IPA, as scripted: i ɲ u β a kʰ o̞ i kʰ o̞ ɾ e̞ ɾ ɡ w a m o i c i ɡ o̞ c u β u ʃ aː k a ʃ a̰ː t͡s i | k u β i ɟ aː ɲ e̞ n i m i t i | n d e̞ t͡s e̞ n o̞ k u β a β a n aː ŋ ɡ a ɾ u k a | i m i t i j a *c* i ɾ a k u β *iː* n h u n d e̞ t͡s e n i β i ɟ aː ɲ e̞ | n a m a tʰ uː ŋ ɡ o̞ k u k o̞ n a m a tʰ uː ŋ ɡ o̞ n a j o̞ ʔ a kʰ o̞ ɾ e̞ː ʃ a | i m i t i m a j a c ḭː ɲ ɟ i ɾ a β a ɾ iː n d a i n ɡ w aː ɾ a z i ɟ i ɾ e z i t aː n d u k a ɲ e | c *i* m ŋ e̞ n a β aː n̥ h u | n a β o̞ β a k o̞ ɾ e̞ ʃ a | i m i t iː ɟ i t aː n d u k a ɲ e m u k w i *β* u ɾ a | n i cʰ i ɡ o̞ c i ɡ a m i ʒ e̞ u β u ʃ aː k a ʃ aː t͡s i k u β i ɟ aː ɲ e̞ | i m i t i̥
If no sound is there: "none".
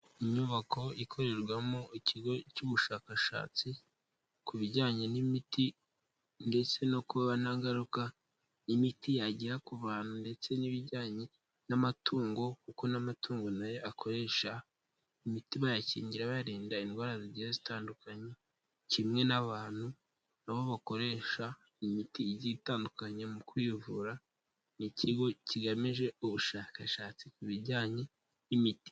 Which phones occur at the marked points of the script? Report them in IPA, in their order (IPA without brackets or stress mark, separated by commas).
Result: ɟ, aː, i, v